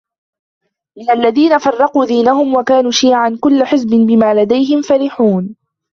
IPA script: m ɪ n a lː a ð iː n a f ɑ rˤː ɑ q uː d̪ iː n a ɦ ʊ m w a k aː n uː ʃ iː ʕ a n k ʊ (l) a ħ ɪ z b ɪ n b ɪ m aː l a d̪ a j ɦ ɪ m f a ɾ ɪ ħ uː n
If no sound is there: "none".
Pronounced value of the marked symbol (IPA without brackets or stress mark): lː